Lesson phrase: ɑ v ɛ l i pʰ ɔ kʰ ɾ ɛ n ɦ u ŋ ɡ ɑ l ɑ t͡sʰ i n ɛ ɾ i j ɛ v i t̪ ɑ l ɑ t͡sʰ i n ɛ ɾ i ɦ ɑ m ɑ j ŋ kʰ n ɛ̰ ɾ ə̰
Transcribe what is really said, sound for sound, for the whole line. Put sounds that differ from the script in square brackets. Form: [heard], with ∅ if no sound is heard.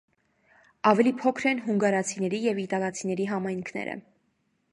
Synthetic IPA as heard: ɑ v ɛ l i pʰ ɔ kʰ ɾ ɛ n ɦ u ŋ ɡ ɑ [ɾ] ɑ t͡sʰ i n ɛ ɾ i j ɛ v i t̪ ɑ l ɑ t͡sʰ i n ɛ ɾ i ɦ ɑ m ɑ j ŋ kʰ n ɛ̰ ɾ ə̰